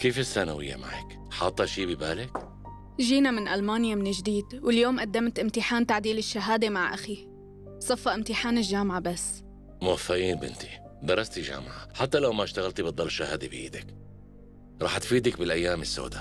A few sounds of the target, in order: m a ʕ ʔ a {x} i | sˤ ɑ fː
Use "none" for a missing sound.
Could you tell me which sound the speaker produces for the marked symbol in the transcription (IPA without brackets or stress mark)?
x